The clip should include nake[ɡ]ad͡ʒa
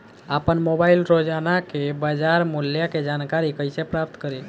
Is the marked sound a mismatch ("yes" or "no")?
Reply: yes